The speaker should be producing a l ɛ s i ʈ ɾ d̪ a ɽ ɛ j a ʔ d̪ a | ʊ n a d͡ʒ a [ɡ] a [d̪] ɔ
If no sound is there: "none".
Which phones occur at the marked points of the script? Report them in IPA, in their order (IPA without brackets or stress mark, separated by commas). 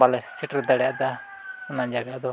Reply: ɡ, d̪